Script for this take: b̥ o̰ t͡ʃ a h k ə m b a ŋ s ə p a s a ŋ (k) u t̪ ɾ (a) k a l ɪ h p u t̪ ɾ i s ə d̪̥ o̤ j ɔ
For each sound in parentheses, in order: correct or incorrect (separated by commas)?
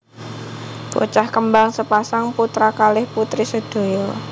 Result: incorrect, correct